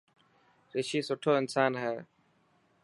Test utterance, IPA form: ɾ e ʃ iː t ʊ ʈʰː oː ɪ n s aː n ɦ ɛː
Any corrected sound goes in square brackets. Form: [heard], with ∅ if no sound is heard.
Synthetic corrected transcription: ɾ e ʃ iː [s] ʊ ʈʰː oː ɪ n s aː n ɦ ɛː